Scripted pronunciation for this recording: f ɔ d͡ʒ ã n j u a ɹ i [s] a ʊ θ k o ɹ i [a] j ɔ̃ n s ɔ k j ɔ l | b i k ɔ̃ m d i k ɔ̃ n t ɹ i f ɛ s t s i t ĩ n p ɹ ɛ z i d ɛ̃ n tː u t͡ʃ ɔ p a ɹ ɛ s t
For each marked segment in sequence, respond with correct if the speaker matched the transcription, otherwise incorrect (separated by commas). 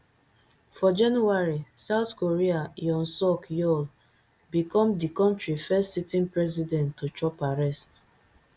correct, correct